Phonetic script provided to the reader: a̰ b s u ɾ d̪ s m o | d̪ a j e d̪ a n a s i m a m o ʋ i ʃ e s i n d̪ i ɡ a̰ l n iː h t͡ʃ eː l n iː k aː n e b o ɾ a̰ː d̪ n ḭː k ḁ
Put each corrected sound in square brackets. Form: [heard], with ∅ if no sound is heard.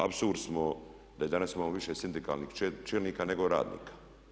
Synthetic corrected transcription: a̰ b s u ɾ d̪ s m o | d̪ a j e d̪ a n a s i m a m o ʋ i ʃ e s i n d̪ i [k] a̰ l n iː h t͡ʃ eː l n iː k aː n e [ɡ] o ɾ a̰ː d̪ n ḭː k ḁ